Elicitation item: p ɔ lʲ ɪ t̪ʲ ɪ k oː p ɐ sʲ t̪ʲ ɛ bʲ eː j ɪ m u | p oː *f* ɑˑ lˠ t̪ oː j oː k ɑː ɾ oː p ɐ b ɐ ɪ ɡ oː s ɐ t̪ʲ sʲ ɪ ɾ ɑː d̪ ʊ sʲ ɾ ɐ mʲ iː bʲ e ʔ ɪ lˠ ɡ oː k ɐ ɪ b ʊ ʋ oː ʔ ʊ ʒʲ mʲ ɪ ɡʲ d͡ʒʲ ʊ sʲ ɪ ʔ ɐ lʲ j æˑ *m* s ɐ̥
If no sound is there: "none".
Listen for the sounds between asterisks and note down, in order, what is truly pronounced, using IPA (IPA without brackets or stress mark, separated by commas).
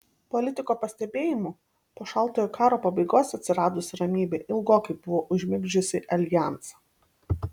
ʃ, n